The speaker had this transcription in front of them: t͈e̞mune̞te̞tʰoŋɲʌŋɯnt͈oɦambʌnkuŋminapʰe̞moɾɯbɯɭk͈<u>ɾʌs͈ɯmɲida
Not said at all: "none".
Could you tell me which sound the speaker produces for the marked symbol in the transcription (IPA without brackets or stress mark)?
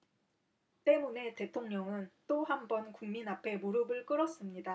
ɯ